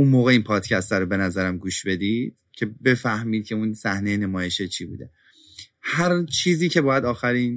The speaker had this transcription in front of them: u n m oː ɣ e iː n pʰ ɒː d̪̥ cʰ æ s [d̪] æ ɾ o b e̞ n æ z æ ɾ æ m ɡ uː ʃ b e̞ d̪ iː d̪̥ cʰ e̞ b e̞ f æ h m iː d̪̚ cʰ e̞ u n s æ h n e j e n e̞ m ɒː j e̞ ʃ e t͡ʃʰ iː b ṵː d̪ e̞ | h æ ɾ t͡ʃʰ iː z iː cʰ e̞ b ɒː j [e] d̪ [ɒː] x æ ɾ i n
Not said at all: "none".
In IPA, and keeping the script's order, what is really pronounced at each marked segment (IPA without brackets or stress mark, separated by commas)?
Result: t̪, æ, ɒː